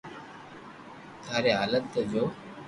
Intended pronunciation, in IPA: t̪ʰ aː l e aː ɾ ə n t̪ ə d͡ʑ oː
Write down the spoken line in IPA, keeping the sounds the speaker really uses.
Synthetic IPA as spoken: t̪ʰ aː ɾ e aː l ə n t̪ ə d͡ʑ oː